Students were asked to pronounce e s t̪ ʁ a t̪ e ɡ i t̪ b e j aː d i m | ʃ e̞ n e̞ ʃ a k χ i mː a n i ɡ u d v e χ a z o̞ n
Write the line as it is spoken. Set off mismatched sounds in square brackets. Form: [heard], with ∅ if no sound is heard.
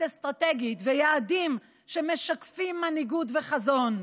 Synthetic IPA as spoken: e s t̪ ʁ a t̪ e ɡ i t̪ [v] e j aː d i m | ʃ e̞ [m] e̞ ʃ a k [f] i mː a n i ɡ u d v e χ a z o̞ n